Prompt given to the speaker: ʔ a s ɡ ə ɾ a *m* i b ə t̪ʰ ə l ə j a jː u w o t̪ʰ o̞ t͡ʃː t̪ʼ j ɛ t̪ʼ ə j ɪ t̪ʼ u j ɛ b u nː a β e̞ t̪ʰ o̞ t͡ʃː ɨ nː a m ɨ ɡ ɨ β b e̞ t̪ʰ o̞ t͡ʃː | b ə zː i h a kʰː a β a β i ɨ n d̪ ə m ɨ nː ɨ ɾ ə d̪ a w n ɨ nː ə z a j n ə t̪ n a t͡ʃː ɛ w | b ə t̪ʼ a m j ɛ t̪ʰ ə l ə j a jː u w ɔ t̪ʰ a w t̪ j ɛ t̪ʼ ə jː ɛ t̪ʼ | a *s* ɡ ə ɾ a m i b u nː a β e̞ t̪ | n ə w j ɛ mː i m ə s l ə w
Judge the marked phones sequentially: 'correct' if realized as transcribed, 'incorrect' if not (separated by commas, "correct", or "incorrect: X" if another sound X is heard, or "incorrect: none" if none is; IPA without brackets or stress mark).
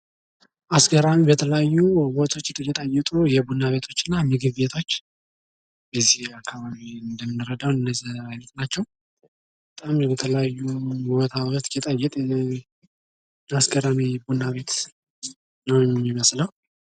correct, correct